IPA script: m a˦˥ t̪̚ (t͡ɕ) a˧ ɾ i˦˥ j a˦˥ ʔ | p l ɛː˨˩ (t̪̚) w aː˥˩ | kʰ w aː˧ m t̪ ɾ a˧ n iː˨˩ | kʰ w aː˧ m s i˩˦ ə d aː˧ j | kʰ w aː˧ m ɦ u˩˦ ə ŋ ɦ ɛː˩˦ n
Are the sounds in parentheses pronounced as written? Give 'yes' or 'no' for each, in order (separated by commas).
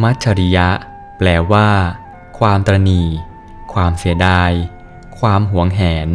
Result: no, no